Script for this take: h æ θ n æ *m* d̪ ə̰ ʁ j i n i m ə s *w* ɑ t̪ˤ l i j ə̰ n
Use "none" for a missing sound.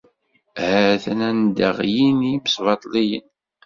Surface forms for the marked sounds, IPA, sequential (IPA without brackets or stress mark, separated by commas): n, v